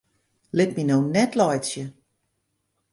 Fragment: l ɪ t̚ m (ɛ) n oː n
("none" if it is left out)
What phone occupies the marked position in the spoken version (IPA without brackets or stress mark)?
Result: i